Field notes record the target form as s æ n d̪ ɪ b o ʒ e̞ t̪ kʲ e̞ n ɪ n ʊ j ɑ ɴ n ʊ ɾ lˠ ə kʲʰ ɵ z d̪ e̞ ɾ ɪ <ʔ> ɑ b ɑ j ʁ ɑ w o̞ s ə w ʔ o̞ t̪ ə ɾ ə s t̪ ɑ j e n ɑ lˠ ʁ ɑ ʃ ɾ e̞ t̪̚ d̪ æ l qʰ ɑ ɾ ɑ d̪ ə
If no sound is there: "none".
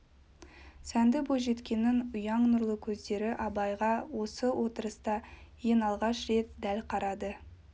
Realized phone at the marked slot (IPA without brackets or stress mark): ʔ